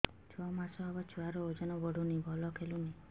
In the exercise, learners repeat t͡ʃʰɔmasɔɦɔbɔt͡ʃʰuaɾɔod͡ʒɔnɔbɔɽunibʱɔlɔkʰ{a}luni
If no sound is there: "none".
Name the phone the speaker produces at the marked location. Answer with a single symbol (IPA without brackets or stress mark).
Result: e